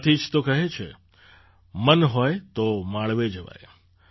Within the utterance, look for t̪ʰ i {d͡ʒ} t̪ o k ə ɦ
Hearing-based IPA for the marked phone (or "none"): d͡ʒ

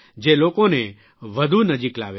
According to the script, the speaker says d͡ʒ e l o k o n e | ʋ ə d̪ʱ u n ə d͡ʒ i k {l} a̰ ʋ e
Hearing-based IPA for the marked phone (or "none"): l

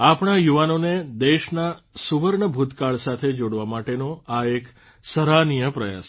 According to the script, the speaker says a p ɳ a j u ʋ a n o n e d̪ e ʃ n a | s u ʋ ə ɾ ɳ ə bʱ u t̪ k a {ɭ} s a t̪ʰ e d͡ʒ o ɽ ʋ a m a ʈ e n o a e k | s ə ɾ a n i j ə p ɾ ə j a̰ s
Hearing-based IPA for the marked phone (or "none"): ɭ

